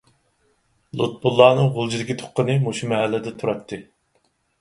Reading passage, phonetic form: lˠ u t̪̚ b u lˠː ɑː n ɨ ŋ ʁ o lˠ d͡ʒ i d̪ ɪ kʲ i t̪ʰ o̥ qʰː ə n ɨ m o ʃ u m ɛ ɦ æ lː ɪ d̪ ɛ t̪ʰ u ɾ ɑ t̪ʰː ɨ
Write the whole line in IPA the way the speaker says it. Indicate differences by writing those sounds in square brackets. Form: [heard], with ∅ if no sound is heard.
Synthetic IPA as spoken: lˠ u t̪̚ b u lˠː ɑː n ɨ ŋ ʁ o lˠ d͡ʒ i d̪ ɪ kʲ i t̪ʰ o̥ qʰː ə n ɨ m o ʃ u m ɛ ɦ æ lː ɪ d̪ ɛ t̪ʰ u ɾ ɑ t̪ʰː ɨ